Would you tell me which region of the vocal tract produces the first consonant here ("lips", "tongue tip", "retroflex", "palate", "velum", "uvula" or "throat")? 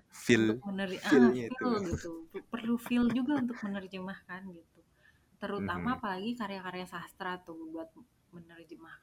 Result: lips